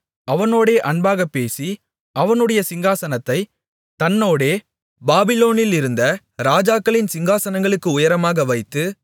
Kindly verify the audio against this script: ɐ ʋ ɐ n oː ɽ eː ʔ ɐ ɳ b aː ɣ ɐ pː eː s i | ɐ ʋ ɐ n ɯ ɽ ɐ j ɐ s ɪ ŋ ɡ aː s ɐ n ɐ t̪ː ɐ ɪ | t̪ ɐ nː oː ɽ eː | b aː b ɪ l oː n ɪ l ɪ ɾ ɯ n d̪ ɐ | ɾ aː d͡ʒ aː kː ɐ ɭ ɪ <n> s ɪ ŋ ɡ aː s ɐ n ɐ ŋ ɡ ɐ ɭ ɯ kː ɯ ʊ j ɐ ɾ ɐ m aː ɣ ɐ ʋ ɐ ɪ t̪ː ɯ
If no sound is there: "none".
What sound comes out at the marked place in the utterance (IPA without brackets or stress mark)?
n